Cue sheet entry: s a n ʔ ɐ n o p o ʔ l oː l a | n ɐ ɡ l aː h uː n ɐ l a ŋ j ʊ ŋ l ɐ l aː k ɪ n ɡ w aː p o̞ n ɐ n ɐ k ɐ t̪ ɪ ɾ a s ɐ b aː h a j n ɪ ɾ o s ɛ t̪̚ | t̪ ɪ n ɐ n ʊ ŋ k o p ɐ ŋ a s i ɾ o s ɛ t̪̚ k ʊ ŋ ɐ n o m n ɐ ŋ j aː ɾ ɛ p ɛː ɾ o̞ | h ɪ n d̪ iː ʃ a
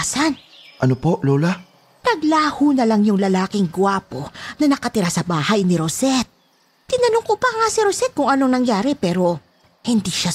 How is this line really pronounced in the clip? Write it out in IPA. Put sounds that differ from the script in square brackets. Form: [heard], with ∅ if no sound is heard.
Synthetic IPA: s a n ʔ ɐ n o p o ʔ l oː l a | n ɐ ɡ l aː h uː n ɐ l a ŋ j ʊ ŋ l ɐ l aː k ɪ [ŋ] ɡ w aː p o̞ n ɐ n ɐ k ɐ t̪ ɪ ɾ a s ɐ b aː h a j n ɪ ɾ o s ɛ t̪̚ | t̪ ɪ n ɐ n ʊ ŋ k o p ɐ ŋ a s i ɾ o s ɛ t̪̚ k ʊ ŋ ɐ n o [ŋ] n ɐ ŋ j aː ɾ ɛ p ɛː ɾ o̞ | h ɪ n d̪ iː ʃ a